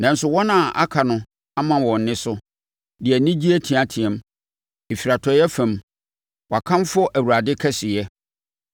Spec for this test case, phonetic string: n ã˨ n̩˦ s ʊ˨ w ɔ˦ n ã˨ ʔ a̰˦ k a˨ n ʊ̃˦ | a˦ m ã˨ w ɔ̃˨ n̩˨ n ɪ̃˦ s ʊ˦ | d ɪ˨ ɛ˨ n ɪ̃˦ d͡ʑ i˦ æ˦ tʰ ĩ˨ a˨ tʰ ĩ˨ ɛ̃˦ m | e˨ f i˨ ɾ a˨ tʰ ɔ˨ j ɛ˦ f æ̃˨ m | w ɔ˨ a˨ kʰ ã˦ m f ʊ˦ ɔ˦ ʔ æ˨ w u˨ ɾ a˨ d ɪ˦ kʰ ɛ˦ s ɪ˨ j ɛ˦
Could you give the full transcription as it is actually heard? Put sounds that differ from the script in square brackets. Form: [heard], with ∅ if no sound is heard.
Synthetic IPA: n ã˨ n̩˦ s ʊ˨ w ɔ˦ n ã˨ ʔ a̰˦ [kʰ] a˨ n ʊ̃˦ | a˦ m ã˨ w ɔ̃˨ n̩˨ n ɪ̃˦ s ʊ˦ | d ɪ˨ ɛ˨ n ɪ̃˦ d͡ʑ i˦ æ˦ tʰ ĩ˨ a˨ tʰ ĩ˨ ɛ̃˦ m | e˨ f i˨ ɾ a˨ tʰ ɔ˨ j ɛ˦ f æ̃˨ m | w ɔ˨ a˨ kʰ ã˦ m f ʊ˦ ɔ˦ ʔ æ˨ w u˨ ɾ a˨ d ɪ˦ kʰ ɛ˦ s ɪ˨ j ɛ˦